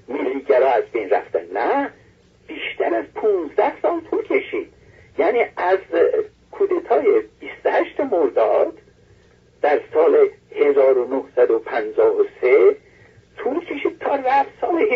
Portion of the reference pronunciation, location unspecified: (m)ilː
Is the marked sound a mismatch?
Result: no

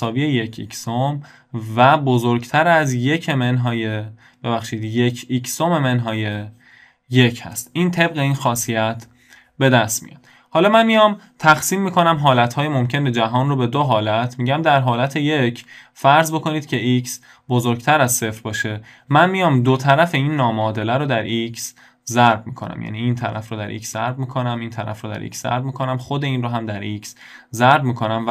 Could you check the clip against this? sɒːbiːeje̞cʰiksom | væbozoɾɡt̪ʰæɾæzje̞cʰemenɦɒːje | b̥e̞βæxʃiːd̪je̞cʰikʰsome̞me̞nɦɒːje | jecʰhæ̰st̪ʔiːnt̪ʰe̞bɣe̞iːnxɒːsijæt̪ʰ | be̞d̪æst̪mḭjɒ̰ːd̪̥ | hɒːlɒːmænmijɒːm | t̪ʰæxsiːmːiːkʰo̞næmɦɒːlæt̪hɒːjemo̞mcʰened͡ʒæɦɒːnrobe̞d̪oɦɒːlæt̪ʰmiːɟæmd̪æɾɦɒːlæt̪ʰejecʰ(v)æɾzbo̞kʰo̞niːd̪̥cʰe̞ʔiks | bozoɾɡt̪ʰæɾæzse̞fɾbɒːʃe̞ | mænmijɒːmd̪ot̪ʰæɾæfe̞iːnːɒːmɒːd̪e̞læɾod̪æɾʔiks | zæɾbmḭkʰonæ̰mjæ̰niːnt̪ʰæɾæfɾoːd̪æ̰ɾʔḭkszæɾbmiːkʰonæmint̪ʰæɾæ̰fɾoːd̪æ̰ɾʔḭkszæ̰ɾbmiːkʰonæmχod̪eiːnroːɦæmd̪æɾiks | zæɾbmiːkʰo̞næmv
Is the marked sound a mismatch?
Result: yes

